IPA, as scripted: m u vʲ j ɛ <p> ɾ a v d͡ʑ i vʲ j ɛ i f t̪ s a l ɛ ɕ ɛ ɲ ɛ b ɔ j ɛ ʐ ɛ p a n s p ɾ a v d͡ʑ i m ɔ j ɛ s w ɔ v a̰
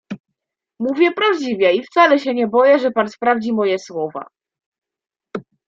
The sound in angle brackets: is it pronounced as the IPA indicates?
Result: yes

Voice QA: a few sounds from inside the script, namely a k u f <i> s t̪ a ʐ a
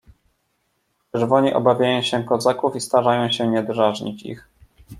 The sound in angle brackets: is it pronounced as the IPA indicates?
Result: yes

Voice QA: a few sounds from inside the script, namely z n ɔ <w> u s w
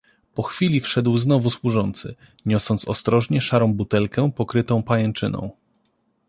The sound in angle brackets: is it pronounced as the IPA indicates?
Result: no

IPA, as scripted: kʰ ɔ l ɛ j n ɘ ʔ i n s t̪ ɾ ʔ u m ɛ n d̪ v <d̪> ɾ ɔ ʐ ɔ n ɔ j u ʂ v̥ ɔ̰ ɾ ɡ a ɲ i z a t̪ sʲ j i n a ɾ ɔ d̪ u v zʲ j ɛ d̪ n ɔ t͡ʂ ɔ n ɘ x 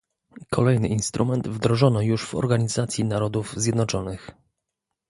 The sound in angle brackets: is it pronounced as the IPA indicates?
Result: yes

